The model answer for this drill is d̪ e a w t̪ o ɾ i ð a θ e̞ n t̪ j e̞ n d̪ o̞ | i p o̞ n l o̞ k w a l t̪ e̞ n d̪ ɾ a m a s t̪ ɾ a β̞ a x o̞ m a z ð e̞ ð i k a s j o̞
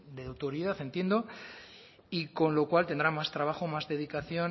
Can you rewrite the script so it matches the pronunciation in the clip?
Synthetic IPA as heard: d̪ e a w t̪ o ɾ i ð a θ e̞ n t̪ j e̞ n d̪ o̞ | i k o̞ n l o̞ k w a l t̪ e̞ n d̪ ɾ a m a s t̪ ɾ a β̞ a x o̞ m a z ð e̞ ð i k a θ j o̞